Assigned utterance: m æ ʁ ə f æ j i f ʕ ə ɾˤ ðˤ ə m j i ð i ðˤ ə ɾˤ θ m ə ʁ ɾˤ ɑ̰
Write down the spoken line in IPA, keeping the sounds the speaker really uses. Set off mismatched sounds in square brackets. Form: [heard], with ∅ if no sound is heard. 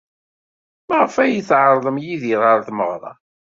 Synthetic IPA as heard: m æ ʁ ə f æ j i [θ] ʕ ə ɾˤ ðˤ ə m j i ð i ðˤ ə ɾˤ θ m ə ʁ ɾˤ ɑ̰

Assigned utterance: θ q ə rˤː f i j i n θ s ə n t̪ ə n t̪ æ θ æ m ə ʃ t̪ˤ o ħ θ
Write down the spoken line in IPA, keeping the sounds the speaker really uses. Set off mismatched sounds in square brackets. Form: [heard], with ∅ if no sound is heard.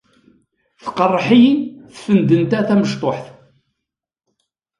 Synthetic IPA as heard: θ q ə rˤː [ħ] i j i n θ [f] ə n [d̪] ə n t̪ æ θ æ m ə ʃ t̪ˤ o ħ θ

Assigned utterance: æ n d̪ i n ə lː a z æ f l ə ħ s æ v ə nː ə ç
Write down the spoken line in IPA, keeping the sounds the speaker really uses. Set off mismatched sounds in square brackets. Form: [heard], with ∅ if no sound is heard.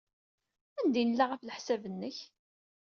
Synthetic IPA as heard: æ n d̪ i n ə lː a [ʁ] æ f l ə ħ s æ v ə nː ə ç

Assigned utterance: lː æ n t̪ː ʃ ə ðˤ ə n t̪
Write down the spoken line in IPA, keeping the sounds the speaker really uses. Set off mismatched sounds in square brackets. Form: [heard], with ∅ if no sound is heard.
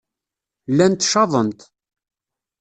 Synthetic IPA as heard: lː æ n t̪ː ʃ [ɑ] ðˤ ə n t̪

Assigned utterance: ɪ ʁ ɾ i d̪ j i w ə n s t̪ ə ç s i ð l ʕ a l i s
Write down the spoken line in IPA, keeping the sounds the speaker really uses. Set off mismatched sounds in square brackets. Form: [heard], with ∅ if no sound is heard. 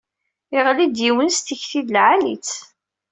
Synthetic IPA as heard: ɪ ʁ [l] i d̪ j i w ə n s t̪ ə ç [θ] i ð l ʕ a l i [t͡s]

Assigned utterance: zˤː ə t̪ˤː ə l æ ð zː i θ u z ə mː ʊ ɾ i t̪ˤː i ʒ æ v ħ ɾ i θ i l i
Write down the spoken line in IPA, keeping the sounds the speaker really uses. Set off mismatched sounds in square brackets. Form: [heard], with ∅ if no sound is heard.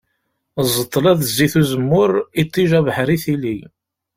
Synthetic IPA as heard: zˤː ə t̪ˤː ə l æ ð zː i θ u z ə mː ʊ ɾ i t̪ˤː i ʒ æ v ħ ɾ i θ i l i

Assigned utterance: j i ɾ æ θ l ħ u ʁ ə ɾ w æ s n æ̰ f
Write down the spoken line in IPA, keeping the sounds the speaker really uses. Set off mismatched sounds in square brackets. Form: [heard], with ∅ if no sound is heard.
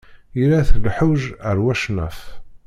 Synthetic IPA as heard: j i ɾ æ θ l ħ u [ʒ] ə ɾ w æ [ʃ] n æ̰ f

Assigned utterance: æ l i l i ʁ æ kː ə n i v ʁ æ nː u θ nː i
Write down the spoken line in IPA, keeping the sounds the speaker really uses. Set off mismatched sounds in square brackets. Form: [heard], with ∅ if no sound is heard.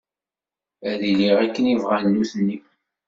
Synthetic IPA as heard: æ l i l i ʁ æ kː ə n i v ʁ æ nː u θ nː i

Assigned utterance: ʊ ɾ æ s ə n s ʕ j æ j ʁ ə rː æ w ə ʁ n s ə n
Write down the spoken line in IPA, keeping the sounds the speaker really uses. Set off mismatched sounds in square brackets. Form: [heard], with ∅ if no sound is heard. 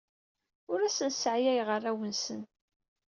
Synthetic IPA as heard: ʊ ɾ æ s ə n s ʕ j æ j ʁ ə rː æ w ə [∅] n s ə n

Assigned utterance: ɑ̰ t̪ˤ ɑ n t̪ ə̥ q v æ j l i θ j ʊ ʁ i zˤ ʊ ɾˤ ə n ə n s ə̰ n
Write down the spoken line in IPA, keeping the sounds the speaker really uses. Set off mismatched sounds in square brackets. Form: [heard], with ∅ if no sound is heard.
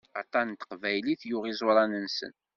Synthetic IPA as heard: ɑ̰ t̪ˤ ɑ n t̪ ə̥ q v æ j l i θ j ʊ ʁ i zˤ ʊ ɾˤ [ɑ] n ə n s ə̰ n

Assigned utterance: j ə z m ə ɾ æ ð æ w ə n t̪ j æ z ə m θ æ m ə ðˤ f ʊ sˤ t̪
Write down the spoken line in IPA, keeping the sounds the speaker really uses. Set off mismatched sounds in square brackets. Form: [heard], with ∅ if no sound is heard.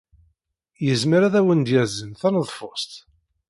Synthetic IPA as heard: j ə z m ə ɾ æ ð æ w ə n [d̪] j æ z ə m θ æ [n] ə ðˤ f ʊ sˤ t̪

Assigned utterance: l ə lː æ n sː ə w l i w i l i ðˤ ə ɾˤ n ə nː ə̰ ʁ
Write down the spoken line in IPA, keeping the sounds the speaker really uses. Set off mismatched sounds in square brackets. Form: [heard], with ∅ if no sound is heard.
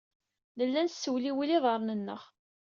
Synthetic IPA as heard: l ə lː æ n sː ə w l i w i l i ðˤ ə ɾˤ n ə nː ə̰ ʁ

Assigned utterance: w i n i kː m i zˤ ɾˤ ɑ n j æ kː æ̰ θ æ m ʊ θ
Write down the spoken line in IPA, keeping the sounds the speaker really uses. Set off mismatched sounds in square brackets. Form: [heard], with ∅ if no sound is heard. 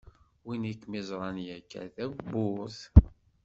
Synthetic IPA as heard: w i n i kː m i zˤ ɾˤ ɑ n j æ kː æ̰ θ æ [b] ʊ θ

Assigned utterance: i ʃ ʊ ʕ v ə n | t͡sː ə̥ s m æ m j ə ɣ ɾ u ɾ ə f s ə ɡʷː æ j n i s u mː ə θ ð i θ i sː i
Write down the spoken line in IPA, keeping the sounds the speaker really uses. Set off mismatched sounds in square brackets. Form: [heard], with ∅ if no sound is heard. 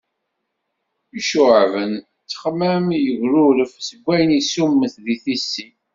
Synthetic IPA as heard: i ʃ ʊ ʕ v ə n | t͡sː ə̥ [χ] m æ m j ə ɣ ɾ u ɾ ə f s ə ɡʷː æ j n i s u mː ə θ ð i θ i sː i

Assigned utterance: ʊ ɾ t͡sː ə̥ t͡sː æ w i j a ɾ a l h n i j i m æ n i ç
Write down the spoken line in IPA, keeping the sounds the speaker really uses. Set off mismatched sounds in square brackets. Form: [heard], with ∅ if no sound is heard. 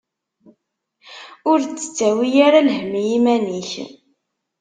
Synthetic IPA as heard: ʊ ɾ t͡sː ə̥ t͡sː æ w i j a ɾ a l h [m] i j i m æ n i ç

